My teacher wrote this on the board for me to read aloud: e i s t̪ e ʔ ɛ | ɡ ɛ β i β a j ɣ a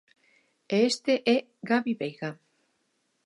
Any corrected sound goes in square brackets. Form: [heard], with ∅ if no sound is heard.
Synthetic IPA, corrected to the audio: e [e] s t̪ e ʔ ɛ | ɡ [a] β i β [e] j ɣ a